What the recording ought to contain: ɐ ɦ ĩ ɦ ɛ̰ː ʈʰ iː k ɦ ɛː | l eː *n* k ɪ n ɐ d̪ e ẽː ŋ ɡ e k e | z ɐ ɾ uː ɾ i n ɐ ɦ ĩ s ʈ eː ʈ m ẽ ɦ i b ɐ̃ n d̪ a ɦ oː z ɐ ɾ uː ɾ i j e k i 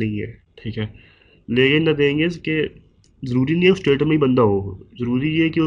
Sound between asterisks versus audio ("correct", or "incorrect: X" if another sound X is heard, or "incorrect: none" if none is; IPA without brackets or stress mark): incorrect: none